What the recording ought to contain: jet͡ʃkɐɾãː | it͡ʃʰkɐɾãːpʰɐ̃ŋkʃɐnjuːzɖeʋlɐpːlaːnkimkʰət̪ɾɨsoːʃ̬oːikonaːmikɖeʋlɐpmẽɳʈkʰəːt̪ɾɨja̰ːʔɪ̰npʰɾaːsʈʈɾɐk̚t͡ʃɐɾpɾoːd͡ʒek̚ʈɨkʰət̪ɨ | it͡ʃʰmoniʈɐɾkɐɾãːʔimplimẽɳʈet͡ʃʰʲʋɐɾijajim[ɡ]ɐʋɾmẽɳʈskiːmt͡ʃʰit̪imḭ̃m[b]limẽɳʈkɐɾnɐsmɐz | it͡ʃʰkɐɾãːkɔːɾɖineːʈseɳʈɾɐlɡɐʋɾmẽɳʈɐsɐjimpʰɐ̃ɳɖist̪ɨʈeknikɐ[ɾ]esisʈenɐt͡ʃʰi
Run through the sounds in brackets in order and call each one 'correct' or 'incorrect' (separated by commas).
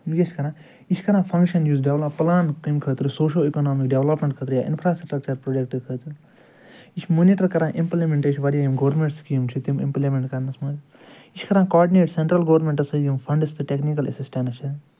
correct, incorrect, incorrect